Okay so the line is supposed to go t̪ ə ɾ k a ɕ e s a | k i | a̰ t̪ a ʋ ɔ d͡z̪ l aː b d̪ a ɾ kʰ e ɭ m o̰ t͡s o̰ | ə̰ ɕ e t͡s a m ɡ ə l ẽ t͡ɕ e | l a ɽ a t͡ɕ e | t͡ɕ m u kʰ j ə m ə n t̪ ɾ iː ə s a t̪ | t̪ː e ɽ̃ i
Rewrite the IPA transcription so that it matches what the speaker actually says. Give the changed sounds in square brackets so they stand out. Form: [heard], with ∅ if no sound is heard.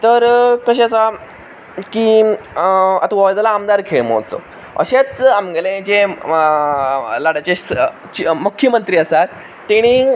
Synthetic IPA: t̪ ə ɾ k [ə] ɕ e s a | k i | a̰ t̪ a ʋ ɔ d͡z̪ l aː [m] d̪ a ɾ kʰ e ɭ m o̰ t͡s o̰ | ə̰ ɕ e t͡s a m ɡ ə l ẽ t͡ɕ e | l a ɽ a t͡ɕ e | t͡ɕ m u kʰ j ə m ə n t̪ ɾ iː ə s a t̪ | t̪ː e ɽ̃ i